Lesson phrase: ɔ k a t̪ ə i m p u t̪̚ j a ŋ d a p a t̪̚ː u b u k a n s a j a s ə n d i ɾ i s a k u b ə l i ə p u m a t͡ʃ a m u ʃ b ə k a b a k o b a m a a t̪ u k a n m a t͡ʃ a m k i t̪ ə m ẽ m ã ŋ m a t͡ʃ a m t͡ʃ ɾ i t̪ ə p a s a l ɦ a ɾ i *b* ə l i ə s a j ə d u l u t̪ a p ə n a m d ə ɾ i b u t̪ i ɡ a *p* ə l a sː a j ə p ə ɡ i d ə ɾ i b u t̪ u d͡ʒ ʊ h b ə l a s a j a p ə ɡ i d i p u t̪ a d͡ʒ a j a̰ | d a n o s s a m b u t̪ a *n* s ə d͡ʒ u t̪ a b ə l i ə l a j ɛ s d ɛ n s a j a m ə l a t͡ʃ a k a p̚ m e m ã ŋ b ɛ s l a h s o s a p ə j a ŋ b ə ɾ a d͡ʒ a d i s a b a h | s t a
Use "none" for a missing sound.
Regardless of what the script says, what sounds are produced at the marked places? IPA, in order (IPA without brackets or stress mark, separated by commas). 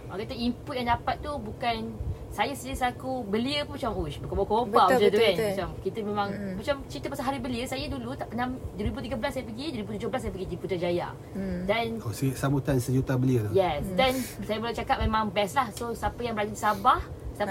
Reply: b, b, n